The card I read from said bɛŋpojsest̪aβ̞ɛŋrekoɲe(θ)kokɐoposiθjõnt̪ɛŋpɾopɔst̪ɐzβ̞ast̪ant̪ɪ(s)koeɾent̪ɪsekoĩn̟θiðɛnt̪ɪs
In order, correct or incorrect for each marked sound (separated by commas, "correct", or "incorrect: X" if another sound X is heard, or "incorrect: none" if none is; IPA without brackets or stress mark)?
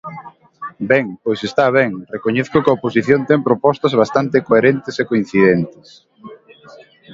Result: correct, incorrect: none